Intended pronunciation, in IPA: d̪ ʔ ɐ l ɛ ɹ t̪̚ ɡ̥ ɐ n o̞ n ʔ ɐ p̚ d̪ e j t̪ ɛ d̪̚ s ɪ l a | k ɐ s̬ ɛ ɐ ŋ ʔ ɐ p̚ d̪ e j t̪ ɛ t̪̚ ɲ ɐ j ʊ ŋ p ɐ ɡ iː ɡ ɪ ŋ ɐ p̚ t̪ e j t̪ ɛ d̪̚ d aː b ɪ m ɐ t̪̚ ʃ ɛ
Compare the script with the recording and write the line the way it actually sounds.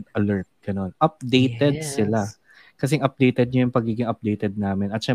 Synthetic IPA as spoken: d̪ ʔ ɐ l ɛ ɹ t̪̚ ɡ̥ ɐ n o̞ n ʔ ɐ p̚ d̪ e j t̪ ɛ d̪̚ s ɪ l a | k ɐ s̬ ɛ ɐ ŋ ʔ ɐ p̚ d̪ e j t̪ ɛ d̪̚ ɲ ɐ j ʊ ŋ p ɐ ɡ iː ɡ ɪ ŋ ɐ p̚ d̪ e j t̪ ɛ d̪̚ n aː m ɪ n ɐ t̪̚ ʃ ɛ